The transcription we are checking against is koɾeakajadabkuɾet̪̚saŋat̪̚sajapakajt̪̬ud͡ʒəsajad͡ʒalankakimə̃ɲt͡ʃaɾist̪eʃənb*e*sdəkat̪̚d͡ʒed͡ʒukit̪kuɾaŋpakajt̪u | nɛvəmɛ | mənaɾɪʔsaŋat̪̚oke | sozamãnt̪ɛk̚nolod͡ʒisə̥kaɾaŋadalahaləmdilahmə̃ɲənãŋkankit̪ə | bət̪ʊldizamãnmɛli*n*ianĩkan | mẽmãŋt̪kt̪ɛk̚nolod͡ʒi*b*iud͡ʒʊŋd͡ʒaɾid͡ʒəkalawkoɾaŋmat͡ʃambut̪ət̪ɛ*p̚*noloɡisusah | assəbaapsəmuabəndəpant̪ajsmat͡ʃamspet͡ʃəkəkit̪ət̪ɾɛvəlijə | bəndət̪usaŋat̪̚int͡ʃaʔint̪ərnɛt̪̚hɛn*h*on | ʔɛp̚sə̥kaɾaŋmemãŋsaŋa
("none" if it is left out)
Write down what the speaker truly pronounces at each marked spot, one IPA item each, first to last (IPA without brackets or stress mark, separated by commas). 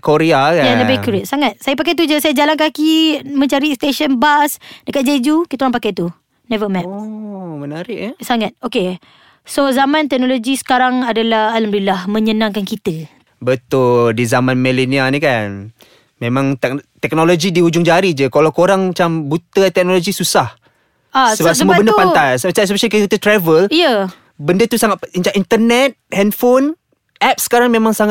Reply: a, n, d, k̚, f